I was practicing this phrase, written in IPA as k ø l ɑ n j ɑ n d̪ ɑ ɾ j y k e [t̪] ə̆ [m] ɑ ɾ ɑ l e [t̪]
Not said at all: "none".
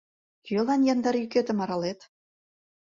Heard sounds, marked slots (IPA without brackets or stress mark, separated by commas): t̪, m, t̪